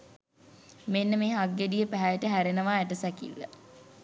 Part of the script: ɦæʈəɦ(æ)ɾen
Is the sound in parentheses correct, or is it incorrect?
correct